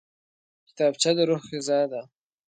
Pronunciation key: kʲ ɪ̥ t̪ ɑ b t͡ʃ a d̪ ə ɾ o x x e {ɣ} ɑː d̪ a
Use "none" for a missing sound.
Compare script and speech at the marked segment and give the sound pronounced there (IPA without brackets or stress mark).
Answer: z